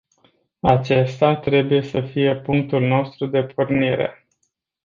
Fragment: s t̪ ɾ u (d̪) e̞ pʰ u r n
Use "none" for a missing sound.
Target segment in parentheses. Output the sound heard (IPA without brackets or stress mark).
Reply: d̪